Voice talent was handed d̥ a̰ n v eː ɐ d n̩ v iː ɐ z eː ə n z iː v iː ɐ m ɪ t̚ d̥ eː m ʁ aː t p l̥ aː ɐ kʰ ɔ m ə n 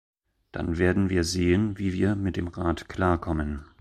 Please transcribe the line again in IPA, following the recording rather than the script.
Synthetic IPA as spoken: d̥ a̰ n v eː ɐ d n̩ v iː ɐ z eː ə n v iː v iː ɐ m ɪ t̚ d̥ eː m ʁ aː t k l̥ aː ɐ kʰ ɔ m ə n